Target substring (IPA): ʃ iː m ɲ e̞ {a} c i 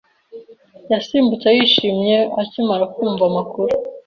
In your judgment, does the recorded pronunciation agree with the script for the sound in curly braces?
yes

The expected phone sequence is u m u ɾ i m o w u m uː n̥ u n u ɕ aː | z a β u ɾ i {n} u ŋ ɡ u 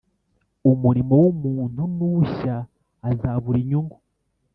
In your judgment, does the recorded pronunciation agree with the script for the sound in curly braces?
no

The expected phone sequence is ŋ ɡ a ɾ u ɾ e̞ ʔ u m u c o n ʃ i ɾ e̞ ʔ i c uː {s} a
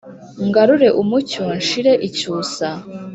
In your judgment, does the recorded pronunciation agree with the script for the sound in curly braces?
yes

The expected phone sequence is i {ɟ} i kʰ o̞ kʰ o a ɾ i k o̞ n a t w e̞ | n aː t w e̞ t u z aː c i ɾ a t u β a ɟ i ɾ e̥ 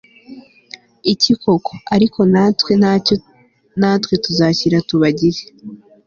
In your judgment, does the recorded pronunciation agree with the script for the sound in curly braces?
no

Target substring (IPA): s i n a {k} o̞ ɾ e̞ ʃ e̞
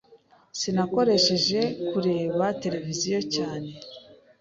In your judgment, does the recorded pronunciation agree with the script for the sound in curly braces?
yes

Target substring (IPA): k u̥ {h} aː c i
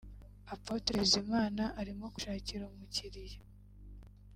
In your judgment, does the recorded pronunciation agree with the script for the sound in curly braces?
no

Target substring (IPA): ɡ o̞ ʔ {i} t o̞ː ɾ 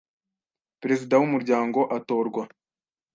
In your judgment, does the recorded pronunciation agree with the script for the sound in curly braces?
no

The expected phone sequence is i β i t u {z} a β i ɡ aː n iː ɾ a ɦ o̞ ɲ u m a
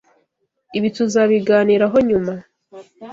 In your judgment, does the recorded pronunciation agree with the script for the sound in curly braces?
yes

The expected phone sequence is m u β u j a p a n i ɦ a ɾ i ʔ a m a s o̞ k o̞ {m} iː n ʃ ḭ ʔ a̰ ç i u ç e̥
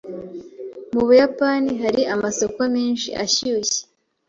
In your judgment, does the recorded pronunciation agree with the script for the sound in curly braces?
yes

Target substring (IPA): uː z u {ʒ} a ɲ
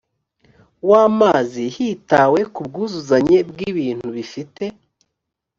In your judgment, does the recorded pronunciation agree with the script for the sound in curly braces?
no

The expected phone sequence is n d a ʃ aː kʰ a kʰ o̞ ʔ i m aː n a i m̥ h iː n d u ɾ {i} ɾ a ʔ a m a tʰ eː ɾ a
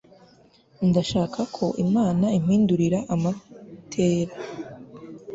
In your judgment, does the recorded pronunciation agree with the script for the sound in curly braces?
yes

